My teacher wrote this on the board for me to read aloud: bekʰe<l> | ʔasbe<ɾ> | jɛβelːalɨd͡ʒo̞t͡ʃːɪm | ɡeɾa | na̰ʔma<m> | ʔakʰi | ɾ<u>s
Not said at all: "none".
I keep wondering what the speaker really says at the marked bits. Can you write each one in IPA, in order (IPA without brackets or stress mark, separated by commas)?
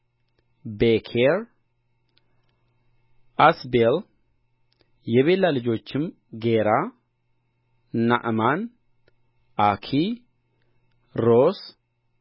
ɾ, l, n, o